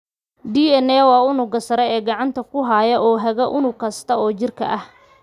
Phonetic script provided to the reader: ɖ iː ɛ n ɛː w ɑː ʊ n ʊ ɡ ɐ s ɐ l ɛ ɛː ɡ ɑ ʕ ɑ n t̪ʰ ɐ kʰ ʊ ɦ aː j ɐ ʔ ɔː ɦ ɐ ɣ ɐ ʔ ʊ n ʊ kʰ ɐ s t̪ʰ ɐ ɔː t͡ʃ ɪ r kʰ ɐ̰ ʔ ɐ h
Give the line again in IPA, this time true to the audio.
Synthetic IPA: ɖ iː ɛ n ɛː w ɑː ʊ n ʊ ɡ ɐ s ɐ ɾ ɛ ɛː ɡ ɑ ʕ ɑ n t̪ʰ ɐ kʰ ʊ ɦ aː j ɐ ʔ ɔː ɦ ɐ ɣ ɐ ʔ ʊ n ʊ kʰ ɐ s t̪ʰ ɐ ɔː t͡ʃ ɪ r kʰ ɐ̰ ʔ ɐ h